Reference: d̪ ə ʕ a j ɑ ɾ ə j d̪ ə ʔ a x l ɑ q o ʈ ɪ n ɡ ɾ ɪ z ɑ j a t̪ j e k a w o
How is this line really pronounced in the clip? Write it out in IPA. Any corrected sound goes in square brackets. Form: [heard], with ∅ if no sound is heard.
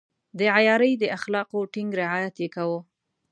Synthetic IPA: d̪ ə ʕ a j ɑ ɾ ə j d̪ ə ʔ a x l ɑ q o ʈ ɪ [ŋ] ɡ ɾ ɪ [ʕ] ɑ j a t̪ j e k a w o